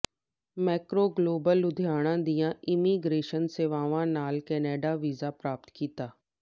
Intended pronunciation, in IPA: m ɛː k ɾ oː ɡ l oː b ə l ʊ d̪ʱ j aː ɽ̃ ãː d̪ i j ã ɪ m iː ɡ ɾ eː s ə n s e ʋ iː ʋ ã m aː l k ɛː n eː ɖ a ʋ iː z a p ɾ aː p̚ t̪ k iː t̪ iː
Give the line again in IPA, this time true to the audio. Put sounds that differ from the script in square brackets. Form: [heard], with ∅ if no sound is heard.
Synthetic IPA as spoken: m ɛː k ɾ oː ɡ l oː b ə l ʊ d̪ʱ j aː ɽ̃ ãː d̪ i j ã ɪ m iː ɡ ɾ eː [ʃ] ə n s e ʋ [aː] ʋ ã [n] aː l k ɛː n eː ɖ a ʋ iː z a p ɾ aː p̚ t̪ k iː t̪ [aː]